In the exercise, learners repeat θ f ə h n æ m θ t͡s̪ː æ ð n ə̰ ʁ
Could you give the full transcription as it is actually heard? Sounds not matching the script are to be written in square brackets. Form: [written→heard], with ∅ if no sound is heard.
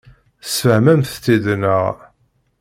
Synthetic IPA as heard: [θ→s] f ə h [n→m] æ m θ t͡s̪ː [æ→i] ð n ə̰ ʁ

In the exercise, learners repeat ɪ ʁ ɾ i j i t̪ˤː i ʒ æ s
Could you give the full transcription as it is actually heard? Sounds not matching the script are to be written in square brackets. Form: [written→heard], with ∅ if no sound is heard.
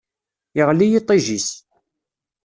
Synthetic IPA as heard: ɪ ʁ [ɾ→l] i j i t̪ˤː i ʒ [æ→i] s

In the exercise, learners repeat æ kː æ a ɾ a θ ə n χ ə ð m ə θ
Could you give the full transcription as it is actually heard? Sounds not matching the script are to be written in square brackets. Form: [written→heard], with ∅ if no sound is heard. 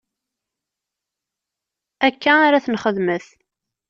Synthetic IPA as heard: æ kː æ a ɾ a θ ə n χ ə ð m ə θ

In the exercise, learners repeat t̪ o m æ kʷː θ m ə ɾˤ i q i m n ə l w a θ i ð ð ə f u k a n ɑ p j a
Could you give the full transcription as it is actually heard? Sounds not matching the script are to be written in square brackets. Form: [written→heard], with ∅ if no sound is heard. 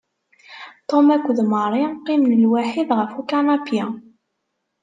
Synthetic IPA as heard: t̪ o m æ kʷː [θ→ð] m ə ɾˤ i q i m n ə l w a [θ→ħ] i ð [ð→ʁ] ə f u k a n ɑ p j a

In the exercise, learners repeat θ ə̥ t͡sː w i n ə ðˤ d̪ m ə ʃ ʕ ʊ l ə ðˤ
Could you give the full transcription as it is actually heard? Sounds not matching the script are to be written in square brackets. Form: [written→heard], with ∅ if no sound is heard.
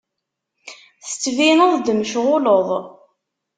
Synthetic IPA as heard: θ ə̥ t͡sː [w→v] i n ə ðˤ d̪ m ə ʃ [ʕ→ʁ] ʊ l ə ðˤ

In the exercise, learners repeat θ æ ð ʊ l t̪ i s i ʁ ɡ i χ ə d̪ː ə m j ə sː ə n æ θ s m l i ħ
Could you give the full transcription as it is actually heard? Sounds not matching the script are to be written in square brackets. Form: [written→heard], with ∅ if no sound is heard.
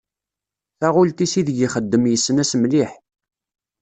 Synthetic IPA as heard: θ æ [ð→ʁ] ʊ l t̪ i s i [ʁ→ð] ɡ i χ ə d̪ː ə m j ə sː ə n æ [θ→∅] s m l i ħ

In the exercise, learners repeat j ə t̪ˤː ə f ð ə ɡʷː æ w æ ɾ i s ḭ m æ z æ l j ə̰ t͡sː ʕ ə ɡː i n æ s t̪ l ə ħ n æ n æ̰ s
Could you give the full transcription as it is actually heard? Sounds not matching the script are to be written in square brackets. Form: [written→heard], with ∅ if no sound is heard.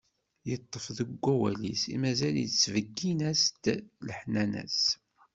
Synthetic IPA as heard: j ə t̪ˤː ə f ð ə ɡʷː æ w æ [ɾ→l] i s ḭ m æ z æ l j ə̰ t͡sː [ʕ→v] ə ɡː i n æ s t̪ l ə ħ n æ n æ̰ s

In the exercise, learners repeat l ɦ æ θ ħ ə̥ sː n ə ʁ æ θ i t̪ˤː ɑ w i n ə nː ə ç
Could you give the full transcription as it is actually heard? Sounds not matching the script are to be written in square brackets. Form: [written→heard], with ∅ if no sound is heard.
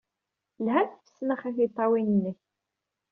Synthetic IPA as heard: l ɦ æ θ [ħ→f] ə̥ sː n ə [ʁ→χ] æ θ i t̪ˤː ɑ w i n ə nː ə ç

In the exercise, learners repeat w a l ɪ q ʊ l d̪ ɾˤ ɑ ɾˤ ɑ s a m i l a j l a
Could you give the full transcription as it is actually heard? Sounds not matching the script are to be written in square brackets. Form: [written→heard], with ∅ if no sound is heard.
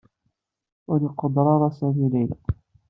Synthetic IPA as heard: w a l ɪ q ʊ [l→∅] d̪ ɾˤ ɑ ɾˤ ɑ s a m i l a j l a

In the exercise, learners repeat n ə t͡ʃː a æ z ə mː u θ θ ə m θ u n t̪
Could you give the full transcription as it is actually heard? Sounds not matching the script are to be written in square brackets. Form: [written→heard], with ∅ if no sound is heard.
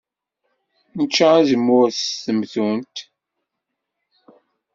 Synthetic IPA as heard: n ə t͡ʃː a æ z ə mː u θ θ ə m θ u n t̪

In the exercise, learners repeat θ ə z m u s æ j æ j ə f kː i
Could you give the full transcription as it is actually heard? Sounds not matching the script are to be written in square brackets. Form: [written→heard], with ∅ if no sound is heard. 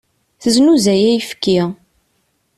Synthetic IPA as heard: θ ə z [m→n] u [s→z] æ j æ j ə f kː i

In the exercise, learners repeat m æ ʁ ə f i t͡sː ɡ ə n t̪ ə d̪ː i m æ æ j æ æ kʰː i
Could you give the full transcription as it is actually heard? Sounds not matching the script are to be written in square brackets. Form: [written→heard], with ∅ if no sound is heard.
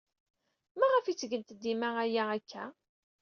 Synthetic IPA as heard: m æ ʁ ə f i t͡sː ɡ ə n t̪ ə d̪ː i m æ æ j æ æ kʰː [i→æ]

